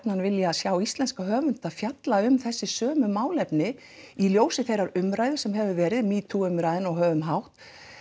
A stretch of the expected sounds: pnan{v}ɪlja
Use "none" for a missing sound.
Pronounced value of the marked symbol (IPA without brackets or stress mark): v